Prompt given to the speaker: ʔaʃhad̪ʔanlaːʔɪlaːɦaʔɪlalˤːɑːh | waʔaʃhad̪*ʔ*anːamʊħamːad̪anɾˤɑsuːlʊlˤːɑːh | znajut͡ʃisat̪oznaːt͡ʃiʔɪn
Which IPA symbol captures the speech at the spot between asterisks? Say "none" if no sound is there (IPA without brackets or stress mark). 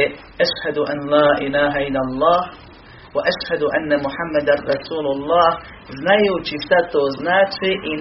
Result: ʔ